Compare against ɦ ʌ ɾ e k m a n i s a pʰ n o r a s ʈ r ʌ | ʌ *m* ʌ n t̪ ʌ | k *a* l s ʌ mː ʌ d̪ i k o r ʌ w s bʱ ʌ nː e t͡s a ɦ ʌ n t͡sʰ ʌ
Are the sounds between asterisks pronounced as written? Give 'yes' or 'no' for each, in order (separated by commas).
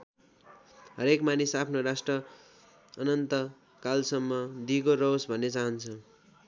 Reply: no, yes